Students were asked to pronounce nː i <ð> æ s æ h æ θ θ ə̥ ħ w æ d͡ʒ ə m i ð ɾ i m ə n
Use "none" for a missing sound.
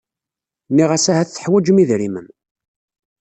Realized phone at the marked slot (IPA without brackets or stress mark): ʁ